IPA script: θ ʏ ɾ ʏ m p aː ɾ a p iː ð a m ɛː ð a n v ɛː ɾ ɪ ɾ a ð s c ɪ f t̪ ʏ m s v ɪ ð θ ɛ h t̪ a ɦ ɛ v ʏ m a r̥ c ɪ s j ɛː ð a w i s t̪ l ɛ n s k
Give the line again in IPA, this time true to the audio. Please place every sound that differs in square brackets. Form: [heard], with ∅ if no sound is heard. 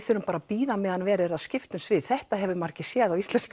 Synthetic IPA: θ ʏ ɾ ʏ m p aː ɾ a p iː ð a m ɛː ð a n v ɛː ɾ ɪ ɾ a ð s c ɪ f t̪ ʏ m s v ɪ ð θ ɛ h t̪ a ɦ ɛ v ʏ m a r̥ c ɪ s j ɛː ð a w i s t̪ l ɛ n s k